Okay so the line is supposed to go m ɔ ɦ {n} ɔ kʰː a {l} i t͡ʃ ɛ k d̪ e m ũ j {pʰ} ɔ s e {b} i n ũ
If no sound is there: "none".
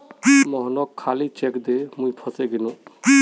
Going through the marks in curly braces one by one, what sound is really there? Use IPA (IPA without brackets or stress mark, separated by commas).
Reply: n, l, pʰ, ɡ